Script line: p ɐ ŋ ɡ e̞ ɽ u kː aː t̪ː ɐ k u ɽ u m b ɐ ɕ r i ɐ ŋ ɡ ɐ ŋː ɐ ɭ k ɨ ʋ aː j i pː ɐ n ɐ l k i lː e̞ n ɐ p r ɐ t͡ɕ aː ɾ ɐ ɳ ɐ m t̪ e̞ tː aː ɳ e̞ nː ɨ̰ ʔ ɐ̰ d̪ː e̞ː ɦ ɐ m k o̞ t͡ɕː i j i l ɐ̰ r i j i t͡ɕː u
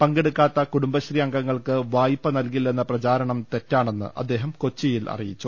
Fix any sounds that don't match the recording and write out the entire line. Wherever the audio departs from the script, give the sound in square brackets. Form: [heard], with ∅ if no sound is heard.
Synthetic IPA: p ɐ ŋ ɡ e̞ ɽ u kː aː t̪ː ɐ k u ɽ u m b ɐ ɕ r i ɐ ŋ ɡ ɐ ŋː ɐ ɭ k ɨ ʋ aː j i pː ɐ n ɐ l k i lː e̞ [nː] ɐ p r ɐ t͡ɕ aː ɾ ɐ ɳ ɐ m t̪ e̞ tː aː ɳ e̞ nː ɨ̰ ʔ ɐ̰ d̪ː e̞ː ɦ ɐ m k o̞ t͡ɕː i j i l ɐ̰ r i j i t͡ɕː u